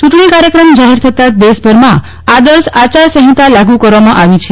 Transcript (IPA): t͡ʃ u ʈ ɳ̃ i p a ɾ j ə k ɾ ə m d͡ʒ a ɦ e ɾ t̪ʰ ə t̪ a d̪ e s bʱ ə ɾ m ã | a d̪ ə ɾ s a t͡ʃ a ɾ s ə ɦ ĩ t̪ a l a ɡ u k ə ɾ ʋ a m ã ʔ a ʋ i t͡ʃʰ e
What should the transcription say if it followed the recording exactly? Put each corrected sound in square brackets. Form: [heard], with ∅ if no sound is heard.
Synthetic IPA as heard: t͡ʃ u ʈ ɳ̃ i [k] a ɾ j ə k ɾ ə m d͡ʒ a ɦ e ɾ t̪ʰ ə t̪ a d̪ e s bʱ ə ɾ m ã | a d̪ ə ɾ s a t͡ʃ a ɾ s ə ɦ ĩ t̪ a l a ɡ u k ə ɾ ʋ a m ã ʔ a ʋ i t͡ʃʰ e